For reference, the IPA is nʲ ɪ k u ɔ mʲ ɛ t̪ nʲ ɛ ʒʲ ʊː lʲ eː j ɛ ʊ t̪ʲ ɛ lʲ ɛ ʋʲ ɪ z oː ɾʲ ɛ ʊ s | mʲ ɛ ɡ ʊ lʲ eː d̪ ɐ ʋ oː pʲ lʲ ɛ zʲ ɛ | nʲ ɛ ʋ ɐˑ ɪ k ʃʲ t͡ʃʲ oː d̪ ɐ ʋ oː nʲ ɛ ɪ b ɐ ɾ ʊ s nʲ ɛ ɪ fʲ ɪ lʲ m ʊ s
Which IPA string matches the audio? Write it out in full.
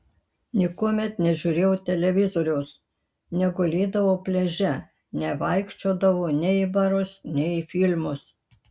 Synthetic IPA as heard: nʲ ɪ k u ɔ mʲ ɛ t̪ nʲ ɛ ʒʲ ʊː ɾʲ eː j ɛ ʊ t̪ʲ ɛ lʲ ɛ ʋʲ ɪ z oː ɾʲ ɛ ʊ s | nʲ ɛ ɡ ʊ lʲ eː d̪ ɐ ʋ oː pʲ lʲ ɛ ʒʲ ɛ | nʲ ɛ ʋ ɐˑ ɪ k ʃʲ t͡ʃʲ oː d̪ ɐ ʋ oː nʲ ɛ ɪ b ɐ ɾ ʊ s nʲ ɛ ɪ fʲ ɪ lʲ m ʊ s